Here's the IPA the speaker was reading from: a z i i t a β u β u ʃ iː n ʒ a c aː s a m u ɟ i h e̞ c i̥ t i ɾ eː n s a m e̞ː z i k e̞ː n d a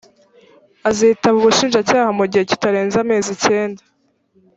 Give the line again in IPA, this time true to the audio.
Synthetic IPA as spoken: a z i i t a β u β u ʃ iː n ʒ a c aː h a m u ɟ i h e̞ c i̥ t a ɾ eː n z a m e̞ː z i c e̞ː n d a